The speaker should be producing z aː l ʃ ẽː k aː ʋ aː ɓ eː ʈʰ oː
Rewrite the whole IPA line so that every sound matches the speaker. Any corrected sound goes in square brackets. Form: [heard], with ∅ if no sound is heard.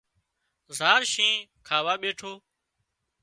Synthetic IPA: z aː [ɾ] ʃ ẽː [kʰ] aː ʋ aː ɓ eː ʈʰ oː